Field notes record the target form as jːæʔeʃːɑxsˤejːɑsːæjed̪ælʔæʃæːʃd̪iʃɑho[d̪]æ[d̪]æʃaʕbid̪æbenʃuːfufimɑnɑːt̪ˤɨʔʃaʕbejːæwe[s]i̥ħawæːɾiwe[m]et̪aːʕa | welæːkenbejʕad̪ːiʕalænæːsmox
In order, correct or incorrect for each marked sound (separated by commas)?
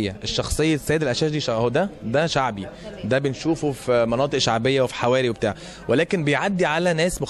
correct, correct, incorrect, incorrect